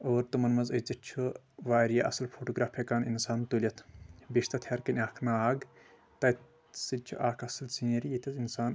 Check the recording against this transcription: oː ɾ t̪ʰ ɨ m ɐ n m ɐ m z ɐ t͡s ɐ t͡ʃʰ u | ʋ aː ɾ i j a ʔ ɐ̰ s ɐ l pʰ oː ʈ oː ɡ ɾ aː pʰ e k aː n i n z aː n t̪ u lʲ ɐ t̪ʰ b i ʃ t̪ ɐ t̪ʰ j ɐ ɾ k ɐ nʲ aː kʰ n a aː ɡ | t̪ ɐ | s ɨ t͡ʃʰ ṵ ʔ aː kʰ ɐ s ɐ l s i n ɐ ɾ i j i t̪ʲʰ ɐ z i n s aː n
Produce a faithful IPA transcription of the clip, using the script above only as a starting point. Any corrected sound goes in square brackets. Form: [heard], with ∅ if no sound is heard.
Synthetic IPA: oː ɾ [t̪] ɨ m ɐ n m ɐ [∅] z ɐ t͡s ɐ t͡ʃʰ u | ʋ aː ɾ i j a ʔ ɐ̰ s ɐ l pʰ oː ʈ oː ɡ ɾ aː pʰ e k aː n i n [s] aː n t̪ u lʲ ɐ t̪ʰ b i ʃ t̪ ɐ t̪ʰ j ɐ ɾ k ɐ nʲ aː kʰ n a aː ɡ | t̪ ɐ | s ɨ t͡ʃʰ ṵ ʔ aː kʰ ɐ s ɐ l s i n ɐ ɾ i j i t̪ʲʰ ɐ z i n s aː n